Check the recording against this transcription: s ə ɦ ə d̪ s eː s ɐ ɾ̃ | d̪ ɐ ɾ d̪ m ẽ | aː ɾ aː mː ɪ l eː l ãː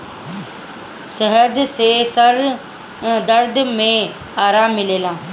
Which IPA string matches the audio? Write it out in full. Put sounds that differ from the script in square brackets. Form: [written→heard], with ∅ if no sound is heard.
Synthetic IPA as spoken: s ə ɦ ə d̪ s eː s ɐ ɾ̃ | d̪ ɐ ɾ d̪ m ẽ | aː ɾ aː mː ɪ l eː l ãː